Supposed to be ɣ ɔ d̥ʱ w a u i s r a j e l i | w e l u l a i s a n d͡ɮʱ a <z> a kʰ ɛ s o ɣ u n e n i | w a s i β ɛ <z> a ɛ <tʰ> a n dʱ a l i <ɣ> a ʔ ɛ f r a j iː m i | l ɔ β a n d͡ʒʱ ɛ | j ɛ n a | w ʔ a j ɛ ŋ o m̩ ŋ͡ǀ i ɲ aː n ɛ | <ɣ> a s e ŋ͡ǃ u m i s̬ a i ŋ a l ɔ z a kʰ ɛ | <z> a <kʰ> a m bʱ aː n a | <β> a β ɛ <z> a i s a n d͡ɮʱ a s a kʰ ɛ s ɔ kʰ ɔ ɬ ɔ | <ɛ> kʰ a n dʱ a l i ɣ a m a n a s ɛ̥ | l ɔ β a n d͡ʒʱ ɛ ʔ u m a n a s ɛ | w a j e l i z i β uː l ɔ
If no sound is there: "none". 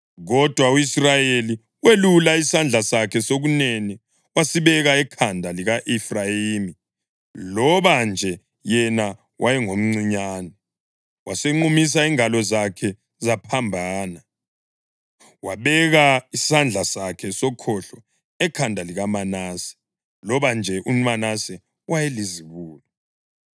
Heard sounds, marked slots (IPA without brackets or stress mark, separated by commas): s, ɣ, kʰ, ɣ, w, z, pʰ, w, ɣ, ɛ